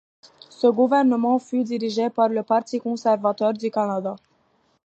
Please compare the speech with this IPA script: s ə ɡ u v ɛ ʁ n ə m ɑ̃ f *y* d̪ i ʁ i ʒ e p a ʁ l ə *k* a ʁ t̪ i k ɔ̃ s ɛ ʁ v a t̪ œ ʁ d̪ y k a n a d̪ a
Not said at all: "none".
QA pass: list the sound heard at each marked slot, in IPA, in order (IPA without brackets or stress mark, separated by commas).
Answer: y, p